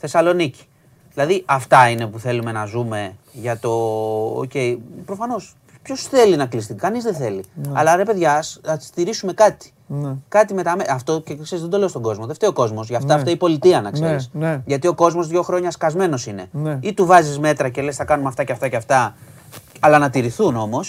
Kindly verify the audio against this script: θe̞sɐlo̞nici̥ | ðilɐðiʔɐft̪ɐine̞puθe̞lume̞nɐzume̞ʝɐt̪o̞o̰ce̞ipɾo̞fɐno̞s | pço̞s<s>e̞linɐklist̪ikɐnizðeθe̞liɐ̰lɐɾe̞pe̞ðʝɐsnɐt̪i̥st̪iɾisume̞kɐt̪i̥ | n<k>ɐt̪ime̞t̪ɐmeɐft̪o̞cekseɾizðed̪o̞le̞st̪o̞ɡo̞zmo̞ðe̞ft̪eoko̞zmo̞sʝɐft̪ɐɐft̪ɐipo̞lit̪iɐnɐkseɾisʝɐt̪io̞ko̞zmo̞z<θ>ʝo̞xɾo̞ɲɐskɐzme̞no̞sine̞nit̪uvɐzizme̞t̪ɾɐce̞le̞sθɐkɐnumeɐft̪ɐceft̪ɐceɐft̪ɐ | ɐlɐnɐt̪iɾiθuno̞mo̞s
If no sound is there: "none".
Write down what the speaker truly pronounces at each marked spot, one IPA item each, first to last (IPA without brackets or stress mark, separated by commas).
θ, k, ð